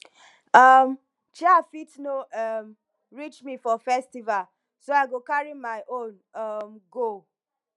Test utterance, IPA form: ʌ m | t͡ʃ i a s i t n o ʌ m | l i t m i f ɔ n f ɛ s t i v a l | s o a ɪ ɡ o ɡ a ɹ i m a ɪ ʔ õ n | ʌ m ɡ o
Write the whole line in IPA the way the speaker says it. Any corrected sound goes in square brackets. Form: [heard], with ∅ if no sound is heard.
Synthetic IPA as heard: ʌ m | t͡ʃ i a [f] i t n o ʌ m | [ɹ] i [t͡ʃ] m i f ɔ [∅] f ɛ s t i v a l | s o a ɪ ɡ o [k] a ɹ i m a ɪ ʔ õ n | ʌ m ɡ o